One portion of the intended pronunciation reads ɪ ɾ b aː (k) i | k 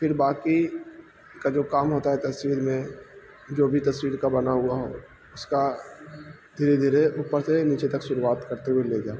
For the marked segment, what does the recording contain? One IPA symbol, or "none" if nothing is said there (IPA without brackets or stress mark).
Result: k